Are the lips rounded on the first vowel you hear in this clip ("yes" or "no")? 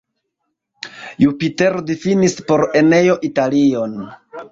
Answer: yes